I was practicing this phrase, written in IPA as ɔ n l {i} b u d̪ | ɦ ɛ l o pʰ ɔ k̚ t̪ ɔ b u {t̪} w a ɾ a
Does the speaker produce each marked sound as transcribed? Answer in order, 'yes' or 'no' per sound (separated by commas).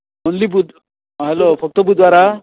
yes, no